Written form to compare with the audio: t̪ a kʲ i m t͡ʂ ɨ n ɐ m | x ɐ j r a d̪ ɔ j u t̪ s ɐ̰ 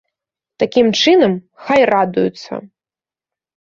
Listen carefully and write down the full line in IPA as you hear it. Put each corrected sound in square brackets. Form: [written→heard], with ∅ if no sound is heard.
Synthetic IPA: t̪ a kʲ i m t͡ʂ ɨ n ɐ m | x [ɐ→a] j r a d̪ [ɔ→u] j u t̪ s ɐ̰